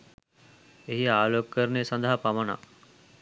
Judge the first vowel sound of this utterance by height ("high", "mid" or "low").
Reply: mid